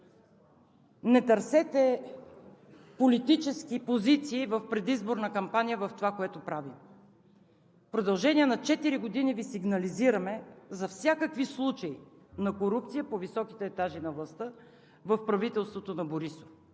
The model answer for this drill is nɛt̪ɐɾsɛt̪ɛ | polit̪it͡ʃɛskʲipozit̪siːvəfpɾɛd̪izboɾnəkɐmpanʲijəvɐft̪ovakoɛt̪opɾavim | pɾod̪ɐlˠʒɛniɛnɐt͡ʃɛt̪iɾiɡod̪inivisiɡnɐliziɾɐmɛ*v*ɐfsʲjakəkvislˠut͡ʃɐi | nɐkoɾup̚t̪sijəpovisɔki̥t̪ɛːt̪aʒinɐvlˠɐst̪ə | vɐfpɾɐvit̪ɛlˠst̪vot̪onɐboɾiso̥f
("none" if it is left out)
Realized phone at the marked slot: z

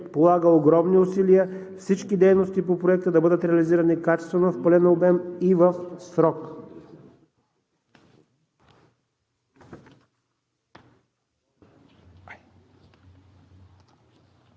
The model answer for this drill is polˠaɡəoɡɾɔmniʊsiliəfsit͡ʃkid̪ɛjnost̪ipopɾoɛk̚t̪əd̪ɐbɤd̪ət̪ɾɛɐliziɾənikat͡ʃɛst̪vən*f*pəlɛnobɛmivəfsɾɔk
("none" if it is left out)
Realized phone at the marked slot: f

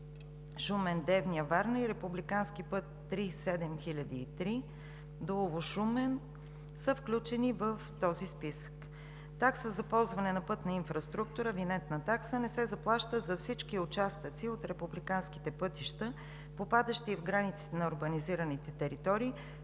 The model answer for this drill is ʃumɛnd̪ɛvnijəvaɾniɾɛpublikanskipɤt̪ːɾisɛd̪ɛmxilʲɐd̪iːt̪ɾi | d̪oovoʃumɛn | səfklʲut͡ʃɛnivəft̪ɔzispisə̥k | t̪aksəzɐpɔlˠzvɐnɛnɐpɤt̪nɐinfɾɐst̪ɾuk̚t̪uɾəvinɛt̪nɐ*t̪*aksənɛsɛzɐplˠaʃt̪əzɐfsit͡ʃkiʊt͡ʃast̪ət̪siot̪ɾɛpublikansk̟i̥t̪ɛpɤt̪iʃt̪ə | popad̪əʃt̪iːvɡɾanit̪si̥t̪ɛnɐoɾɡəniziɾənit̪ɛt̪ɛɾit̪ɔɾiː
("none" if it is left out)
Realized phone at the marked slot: t̪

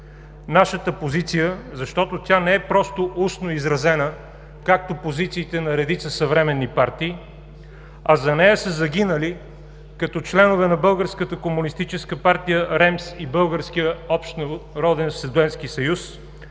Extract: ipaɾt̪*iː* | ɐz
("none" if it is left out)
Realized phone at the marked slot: iː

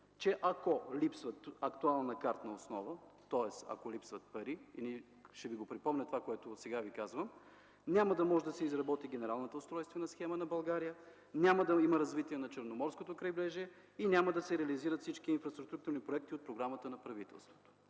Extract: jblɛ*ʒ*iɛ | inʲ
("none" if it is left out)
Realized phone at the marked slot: ʒ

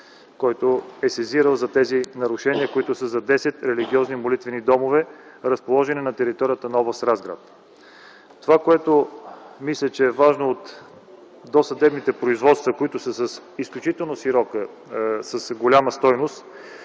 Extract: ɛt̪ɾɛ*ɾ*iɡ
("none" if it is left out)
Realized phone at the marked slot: l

